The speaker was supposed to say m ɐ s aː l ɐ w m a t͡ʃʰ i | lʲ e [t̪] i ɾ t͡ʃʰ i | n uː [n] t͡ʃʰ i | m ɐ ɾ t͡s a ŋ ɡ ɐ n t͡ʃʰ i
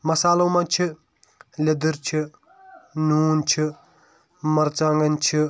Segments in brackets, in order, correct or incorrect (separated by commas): incorrect, correct